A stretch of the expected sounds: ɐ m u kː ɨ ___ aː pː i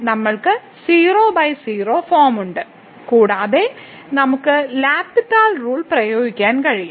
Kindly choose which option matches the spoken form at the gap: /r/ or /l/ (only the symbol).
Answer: l